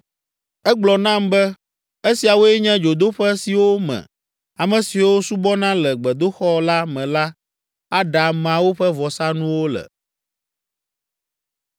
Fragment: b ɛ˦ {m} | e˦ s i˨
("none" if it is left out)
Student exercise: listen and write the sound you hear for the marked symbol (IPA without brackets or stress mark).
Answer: none